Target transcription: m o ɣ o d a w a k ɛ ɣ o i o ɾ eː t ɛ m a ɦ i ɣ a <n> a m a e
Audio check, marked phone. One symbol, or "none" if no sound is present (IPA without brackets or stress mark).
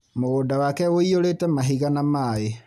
n